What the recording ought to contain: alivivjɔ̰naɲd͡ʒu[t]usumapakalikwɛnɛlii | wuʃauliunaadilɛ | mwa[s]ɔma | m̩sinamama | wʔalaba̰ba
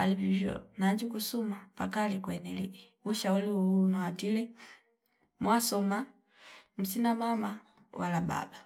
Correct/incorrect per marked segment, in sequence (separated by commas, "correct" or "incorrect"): incorrect, correct